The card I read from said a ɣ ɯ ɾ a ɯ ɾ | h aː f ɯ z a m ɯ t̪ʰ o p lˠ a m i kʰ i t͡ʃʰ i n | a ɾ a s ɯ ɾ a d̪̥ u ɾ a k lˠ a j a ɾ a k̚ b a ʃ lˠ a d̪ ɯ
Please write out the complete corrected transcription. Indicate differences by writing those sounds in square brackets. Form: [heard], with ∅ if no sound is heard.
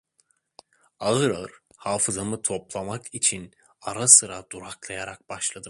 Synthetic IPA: a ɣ ɯ ɾ a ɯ ɾ | h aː f ɯ z a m ɯ t̪ʰ o p lˠ a m [a] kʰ i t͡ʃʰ i n | a ɾ a s ɯ ɾ a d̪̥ u ɾ a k lˠ a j a ɾ a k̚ b a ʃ lˠ a d̪ ɯ

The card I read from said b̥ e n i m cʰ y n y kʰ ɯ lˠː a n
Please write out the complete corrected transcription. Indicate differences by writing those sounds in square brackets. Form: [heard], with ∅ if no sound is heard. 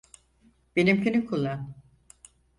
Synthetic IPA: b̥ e n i m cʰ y n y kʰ [u] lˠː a n

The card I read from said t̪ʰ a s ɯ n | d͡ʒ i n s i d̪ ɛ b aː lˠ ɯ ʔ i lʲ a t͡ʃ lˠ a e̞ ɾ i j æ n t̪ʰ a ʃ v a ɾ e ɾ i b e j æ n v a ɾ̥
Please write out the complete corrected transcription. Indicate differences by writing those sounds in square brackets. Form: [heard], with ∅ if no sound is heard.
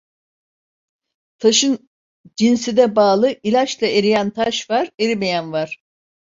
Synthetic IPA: t̪ʰ a [ʃ] ɯ n | d͡ʒ i n s i d̪ ɛ b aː lˠ ɯ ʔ i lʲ a t͡ʃ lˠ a e̞ ɾ i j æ n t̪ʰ a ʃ v a ɾ e ɾ i [m] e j æ n v a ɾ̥

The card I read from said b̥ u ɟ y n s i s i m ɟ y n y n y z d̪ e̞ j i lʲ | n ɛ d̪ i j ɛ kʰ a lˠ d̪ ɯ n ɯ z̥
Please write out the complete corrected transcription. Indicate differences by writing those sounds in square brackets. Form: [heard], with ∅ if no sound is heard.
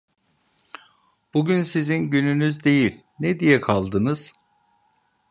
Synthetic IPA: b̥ u ɟ y n s i [z] i [n] ɟ y n y n y z d̪ e̞ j i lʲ | n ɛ d̪ i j ɛ kʰ a lˠ d̪ ɯ n ɯ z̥

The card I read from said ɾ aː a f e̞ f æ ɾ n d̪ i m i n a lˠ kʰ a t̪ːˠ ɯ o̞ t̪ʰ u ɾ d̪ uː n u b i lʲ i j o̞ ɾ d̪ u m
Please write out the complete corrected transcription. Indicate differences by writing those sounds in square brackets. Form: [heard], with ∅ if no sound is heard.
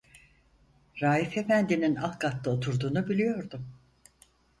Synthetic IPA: ɾ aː [i] f e̞ f æ [∅] n d̪ i [n] i n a lˠ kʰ a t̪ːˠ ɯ o̞ t̪ʰ u ɾ d̪ uː n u b i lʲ i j o̞ ɾ d̪ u m

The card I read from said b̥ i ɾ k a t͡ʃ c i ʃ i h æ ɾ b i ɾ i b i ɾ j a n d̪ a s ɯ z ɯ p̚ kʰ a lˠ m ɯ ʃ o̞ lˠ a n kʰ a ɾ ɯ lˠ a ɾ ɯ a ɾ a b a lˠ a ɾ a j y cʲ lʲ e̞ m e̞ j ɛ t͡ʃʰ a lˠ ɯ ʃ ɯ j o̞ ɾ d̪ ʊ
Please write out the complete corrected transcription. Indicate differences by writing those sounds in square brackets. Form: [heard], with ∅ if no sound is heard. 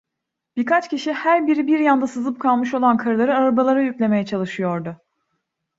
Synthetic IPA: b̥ i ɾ k a t͡ʃ c i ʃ i h æ ɾ b i ɾ i b i ɾ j a n d̪ a s ɯ z ɯ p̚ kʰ a lˠ m ɯ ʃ o̞ lˠ a n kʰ a ɾ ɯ lˠ a ɾ ɯ a ɾ a b a lˠ a ɾ a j y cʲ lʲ e̞ m e̞ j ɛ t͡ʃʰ a lˠ ɯ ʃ ɯ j o̞ ɾ d̪ ʊ

